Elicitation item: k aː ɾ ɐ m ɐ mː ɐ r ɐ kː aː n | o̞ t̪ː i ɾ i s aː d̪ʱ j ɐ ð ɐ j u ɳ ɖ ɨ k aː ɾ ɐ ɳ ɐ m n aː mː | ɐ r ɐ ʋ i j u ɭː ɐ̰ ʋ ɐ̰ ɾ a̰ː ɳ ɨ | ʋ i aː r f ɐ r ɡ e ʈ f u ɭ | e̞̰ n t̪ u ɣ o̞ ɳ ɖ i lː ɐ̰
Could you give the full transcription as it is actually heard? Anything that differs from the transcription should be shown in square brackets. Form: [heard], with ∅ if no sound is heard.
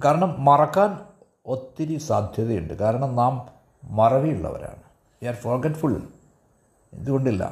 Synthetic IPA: k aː ɾ ɐ [ɳ] ɐ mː ɐ r ɐ kː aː n | o̞ t̪ː i ɾ i s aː d̪ʱ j ɐ ð ɐ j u ɳ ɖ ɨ k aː ɾ ɐ ɳ ɐ m n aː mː | ɐ r ɐ ʋ i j u ɭː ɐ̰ ʋ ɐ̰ ɾ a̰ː ɳ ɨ | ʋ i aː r f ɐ r ɡ e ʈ f u ɭ | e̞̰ n [d̪] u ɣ o̞ ɳ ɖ i lː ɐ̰